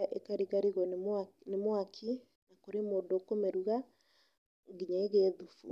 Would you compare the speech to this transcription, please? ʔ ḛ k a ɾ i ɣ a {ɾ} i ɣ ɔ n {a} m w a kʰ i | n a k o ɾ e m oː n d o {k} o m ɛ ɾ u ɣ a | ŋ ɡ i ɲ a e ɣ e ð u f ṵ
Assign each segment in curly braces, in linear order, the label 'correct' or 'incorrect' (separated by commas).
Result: correct, incorrect, correct